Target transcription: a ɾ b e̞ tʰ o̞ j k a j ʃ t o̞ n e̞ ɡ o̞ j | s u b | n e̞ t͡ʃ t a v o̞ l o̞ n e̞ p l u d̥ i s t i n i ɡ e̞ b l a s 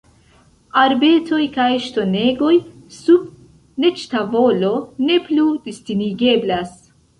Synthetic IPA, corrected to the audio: a ɾ b e̞ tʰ o̞ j k a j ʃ t o̞ n e̞ ɡ o̞ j | s u b | n e̞ t͡ʃ t a v o̞ l o̞ n e̞ p l u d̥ i s t i n i ɡ e̞ b l a s